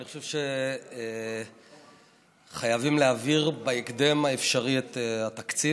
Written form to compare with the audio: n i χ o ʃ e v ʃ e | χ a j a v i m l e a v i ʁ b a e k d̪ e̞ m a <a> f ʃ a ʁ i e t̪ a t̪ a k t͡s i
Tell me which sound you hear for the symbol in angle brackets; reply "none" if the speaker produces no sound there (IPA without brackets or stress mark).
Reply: e